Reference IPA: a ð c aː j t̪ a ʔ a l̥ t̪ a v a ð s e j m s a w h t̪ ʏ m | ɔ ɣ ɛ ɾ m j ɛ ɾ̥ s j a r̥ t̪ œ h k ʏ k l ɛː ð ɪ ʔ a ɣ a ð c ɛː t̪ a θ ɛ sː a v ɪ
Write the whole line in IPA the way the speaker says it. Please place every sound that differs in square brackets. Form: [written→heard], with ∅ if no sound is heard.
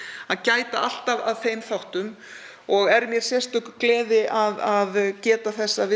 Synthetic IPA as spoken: a ð c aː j t̪ a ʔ a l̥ t̪ a v a ð [s→θ] e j m [s→θ] a w h t̪ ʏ m | ɔ ɣ ɛ ɾ m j ɛ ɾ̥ s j [a→ɛ] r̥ t̪ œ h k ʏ k l ɛː ð ɪ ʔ a [ɣ→ð] a ð c ɛː t̪ a θ ɛ sː a v ɪ